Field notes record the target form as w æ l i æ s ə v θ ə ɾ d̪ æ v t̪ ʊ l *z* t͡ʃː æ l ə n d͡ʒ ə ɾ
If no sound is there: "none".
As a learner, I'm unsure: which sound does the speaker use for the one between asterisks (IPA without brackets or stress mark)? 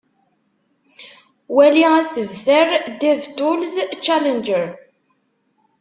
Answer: z